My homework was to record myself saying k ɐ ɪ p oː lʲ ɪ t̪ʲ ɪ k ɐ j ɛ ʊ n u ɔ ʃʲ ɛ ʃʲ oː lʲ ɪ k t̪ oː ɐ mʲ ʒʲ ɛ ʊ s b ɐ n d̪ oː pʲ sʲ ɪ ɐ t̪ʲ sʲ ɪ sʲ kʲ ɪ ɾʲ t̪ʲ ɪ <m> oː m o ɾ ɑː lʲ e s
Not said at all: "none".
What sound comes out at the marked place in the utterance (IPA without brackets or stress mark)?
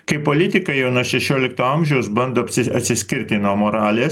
n